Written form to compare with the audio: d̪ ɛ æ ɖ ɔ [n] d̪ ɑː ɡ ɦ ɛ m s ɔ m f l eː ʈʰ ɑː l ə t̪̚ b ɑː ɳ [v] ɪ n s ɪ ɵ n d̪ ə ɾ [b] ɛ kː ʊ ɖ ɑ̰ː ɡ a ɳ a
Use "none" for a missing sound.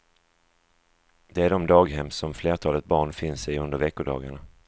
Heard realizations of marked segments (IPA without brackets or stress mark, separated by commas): m, f, v